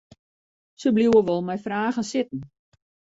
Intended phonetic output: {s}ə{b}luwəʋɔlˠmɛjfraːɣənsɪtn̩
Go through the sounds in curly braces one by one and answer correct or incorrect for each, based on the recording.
correct, correct

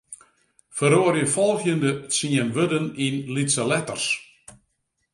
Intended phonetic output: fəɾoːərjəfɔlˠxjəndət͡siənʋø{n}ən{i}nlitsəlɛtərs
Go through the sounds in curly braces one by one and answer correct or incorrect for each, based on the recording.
incorrect: d, correct

